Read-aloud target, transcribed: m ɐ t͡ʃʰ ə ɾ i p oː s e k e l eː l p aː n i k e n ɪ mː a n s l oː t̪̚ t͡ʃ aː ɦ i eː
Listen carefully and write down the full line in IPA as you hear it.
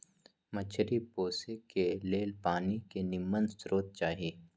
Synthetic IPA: m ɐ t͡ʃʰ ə ɾ i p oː s e k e l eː l p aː n i k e n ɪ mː ə n s ɾ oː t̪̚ t͡ʃ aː ɦ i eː